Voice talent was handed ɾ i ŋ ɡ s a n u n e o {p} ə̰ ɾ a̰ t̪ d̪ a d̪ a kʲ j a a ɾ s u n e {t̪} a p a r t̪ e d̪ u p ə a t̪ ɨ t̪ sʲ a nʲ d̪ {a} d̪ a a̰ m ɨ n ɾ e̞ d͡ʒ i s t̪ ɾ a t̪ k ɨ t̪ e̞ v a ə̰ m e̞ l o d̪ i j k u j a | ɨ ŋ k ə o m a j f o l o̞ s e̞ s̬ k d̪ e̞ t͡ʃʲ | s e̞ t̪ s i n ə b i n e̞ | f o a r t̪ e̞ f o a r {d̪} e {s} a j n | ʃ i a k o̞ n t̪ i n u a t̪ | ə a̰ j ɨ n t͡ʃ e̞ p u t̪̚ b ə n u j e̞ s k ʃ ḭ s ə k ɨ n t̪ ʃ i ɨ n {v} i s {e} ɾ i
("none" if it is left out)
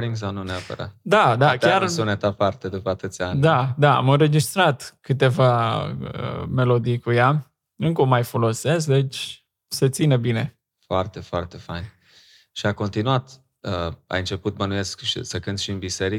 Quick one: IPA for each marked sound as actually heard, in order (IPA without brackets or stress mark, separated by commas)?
p, t̪, a, t̪, f, b, e